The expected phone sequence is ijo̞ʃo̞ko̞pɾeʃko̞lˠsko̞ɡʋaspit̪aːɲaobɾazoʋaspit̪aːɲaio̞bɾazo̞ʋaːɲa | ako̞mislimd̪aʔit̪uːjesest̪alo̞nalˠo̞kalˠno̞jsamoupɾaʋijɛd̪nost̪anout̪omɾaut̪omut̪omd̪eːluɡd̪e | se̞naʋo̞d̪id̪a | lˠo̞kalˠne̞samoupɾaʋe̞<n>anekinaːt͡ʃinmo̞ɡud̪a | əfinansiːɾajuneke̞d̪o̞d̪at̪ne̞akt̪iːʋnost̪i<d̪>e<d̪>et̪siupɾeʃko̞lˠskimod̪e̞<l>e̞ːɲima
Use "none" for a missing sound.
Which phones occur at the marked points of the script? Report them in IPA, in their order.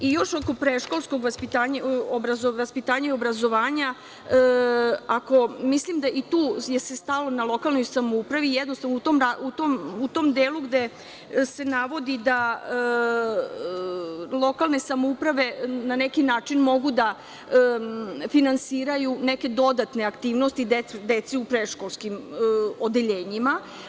n, d̪, d̪, ʎ

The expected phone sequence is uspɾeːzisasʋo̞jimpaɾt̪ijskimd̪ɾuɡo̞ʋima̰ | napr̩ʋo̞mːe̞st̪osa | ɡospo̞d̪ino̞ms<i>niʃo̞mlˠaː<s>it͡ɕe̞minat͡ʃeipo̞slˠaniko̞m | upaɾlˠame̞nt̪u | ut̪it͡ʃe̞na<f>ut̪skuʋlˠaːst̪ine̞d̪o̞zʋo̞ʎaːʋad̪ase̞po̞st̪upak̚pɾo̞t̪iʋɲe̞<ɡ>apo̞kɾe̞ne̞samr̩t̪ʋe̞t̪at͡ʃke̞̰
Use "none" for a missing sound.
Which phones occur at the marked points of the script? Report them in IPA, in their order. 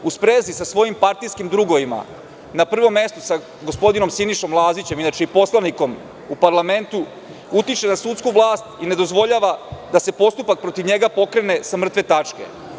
i, z, s, ɡ

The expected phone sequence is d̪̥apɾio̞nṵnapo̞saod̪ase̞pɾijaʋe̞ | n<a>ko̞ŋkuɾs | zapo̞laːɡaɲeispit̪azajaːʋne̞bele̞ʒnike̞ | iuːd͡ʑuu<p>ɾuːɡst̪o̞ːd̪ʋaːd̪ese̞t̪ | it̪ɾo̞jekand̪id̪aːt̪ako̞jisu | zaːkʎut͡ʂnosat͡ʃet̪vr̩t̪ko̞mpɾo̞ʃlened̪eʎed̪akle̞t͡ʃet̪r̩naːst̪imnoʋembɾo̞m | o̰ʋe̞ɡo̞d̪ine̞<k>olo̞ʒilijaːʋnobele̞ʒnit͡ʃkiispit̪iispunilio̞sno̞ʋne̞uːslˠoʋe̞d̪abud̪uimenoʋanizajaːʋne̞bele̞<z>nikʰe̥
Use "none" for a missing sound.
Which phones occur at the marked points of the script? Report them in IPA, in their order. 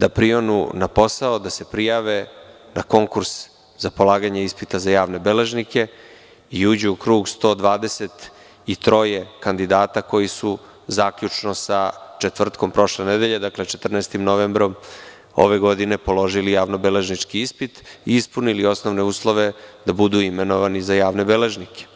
a, k, p, ʒ

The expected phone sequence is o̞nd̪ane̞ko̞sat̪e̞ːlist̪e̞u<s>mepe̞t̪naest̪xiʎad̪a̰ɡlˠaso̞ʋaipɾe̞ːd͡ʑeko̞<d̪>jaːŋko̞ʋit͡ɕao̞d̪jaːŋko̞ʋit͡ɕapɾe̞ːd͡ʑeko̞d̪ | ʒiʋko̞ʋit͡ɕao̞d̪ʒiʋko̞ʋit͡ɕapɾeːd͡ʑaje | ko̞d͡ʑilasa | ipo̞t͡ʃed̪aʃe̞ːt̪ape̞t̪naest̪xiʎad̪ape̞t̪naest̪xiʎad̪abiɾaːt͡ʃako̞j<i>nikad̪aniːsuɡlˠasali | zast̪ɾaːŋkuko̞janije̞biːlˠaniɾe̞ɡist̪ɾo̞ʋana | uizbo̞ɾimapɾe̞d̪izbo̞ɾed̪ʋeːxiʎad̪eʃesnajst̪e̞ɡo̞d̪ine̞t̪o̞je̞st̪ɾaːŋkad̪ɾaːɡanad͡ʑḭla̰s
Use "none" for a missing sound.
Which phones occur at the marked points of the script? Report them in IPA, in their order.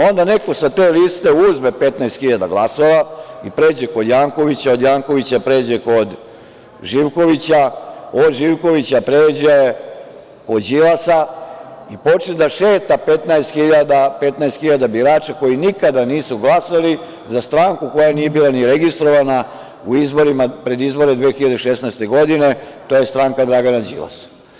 z, d̪, i

